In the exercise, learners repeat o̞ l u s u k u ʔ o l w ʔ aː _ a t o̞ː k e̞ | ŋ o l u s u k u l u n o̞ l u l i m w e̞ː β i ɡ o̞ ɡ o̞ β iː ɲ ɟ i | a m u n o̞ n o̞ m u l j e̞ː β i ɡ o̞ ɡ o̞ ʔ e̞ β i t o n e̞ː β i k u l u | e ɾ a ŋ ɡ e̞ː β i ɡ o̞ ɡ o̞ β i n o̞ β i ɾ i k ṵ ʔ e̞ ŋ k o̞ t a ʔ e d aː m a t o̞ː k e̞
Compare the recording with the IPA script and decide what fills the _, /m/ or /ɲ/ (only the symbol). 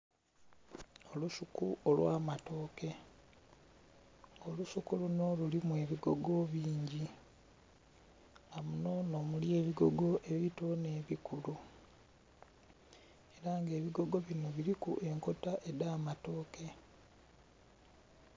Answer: m